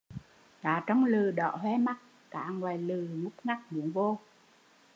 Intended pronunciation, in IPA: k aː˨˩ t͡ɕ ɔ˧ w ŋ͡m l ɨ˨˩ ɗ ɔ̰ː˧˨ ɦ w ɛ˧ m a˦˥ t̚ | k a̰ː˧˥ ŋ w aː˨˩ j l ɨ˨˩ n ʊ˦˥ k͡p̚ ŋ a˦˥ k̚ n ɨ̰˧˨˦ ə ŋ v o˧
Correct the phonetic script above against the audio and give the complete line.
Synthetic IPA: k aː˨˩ t͡ɕ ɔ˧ w ŋ͡m l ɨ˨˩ ɗ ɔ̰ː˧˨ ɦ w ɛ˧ m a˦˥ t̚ | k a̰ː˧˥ ŋ w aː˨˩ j l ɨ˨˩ ŋ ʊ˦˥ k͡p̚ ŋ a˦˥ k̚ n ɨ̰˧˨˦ ə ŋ v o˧